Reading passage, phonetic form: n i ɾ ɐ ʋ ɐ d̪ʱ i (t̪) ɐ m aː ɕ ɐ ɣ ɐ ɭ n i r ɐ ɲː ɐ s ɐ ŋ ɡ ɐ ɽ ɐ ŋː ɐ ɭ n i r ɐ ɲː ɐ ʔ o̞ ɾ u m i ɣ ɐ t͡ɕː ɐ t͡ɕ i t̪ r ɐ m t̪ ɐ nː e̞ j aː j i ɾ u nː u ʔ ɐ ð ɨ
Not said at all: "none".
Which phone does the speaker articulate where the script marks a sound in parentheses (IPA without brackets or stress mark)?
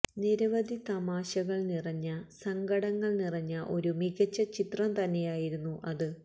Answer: t̪